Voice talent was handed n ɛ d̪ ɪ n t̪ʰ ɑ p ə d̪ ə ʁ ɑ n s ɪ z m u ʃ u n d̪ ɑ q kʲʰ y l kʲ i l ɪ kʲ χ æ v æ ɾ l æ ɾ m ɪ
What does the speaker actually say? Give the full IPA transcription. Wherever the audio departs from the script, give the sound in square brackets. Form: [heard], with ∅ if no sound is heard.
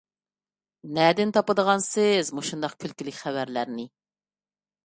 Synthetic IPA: n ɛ d̪ ɪ n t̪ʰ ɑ p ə d̪ ə ʁ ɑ n s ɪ z m u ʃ u n d̪ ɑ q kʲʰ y l kʲ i l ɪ kʲ χ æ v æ ɾ l æ ɾ [n] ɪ

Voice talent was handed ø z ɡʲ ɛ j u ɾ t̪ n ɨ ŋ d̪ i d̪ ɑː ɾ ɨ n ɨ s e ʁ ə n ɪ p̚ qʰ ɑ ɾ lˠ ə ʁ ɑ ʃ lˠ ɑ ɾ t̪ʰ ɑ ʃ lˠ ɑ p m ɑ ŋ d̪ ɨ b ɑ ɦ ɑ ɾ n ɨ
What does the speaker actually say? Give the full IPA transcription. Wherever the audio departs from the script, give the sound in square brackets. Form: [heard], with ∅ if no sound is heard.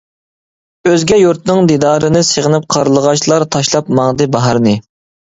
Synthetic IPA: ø z ɡʲ ɛ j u ɾ t̪ n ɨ ŋ d̪ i d̪ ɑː ɾ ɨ n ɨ s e ʁ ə n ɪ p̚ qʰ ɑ ɾ lˠ ə ʁ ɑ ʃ lˠ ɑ ɾ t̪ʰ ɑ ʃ lˠ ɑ p m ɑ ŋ d̪ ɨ b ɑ ɦ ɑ ɾ n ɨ

